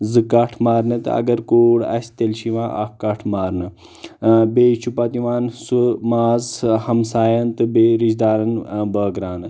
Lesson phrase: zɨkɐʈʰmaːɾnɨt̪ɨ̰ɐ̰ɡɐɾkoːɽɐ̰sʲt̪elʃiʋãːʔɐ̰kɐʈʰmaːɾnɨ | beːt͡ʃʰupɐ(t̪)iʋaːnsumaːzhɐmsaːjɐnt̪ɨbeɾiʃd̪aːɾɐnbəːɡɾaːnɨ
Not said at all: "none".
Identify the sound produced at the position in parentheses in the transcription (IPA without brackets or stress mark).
t̪